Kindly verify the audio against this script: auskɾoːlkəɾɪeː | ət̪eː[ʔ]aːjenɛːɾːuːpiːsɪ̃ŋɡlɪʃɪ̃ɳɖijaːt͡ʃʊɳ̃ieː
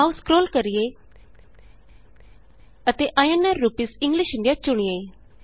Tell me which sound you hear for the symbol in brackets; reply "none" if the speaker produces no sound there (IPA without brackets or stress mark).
ʔ